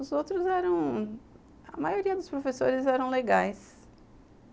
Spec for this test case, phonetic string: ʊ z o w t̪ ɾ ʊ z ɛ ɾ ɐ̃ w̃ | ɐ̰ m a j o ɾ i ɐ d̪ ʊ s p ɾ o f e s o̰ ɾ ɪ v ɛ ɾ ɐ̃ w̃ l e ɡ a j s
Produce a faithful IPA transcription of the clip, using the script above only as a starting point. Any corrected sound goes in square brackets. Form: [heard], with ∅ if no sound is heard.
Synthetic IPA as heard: ʊ z o w t̪ ɾ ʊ z ɛ ɾ ɐ̃ w̃ | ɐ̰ m a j o ɾ i ɐ d̪ ʊ s p ɾ o f e s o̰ ɾ ɪ [z] ɛ ɾ ɐ̃ w̃ l e ɡ a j s